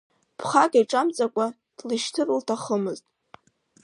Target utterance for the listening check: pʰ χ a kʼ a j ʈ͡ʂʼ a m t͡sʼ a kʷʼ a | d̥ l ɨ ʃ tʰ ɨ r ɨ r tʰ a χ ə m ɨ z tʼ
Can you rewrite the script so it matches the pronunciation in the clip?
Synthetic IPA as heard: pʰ χ a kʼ a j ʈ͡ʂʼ a m t͡sʼ a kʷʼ a | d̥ l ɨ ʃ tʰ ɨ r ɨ l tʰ a χ ə m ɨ z tʼ